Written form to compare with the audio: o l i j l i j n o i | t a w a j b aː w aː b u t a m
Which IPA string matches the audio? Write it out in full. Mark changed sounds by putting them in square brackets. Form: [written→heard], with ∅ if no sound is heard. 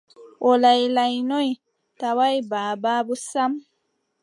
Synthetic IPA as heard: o l [i→a] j l [i→a] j n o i | t a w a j b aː [w→b] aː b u [t→s] a m